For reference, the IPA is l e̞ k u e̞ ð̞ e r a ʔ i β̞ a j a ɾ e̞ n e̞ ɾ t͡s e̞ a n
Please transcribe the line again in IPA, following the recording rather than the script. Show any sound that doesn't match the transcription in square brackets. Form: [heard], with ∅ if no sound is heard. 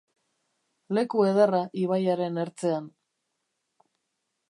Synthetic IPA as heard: l e̞ k u e̞ ð̞ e r a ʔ i β̞ a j a ɾ e̞ n e̞ ɾ t͡s e̞ a n